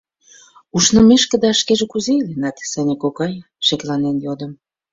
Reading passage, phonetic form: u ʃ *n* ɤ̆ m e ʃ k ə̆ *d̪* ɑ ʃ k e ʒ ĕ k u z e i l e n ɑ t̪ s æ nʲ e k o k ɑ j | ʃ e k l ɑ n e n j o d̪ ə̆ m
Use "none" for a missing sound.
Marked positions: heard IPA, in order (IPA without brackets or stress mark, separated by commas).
n, d̪